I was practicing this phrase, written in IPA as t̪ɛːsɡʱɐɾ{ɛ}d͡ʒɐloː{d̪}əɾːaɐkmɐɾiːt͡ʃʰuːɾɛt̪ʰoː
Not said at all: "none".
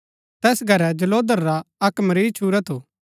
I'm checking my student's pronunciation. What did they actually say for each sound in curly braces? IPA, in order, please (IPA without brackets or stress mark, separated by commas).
ɛ, d̪